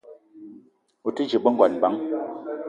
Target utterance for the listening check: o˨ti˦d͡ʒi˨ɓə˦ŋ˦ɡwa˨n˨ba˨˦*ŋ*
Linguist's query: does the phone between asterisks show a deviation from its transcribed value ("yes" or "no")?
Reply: no